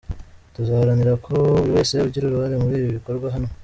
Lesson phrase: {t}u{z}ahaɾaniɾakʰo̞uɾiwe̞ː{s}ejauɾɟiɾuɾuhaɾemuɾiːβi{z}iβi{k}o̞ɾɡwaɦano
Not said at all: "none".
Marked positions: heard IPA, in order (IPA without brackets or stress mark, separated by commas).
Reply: t, z, s, none, k